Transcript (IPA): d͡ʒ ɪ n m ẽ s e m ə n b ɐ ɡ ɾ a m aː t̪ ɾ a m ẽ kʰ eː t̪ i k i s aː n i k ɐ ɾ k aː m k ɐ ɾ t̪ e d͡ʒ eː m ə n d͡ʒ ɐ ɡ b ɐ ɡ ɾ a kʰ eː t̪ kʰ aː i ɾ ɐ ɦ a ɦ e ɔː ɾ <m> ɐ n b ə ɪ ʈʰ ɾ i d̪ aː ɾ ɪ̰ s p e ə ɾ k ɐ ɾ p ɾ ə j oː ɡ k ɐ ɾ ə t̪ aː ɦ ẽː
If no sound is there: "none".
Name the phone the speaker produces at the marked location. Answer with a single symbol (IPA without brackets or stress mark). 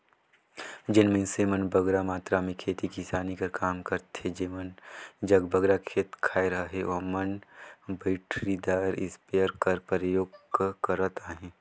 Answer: m